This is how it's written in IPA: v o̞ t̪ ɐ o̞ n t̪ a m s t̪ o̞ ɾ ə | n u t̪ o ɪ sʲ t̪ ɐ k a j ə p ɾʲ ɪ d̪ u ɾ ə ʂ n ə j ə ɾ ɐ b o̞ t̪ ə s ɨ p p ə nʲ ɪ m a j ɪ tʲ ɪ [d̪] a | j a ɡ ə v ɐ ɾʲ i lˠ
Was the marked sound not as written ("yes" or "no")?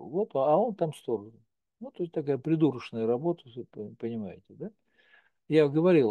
no